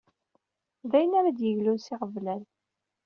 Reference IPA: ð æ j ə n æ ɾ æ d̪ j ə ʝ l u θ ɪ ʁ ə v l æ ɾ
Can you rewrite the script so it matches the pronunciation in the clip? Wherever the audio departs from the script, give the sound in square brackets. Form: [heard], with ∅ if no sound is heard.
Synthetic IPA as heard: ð æ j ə n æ ɾ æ d̪ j ə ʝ l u [s] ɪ ʁ ə v l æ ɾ